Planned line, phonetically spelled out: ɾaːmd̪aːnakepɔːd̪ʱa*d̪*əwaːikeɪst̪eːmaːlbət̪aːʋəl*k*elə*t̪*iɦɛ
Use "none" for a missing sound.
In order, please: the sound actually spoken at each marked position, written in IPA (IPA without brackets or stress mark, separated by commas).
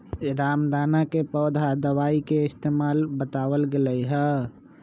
d̪, ɡ, none